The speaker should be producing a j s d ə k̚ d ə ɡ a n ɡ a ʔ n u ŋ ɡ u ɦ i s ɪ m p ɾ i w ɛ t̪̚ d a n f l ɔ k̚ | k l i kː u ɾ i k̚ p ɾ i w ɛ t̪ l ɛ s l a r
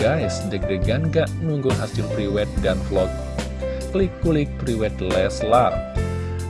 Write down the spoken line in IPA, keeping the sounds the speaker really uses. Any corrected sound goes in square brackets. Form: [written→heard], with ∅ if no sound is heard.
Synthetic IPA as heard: a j s d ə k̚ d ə ɡ a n ɡ a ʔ n u ŋ ɡ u ɦ [i→a] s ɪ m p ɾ i w ɛ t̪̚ d a n f l ɔ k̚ | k l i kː u [ɾ→l] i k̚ p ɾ i w ɛ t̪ l ɛ s l a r